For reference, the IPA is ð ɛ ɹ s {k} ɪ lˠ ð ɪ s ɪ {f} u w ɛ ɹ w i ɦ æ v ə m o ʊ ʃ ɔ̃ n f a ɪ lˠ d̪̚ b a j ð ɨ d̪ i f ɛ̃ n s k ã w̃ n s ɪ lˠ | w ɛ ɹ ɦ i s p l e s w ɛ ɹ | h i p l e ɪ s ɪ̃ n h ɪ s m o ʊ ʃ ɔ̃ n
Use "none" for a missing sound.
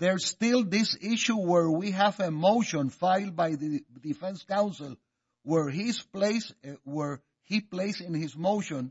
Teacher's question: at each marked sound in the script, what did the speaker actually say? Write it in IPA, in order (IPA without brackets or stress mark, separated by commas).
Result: t, ʃ